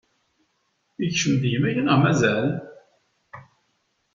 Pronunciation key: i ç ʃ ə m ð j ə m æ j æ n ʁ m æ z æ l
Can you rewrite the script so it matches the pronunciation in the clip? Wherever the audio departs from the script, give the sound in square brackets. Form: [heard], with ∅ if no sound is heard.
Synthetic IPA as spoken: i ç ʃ ə m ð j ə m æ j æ n ʁ m æ z æ l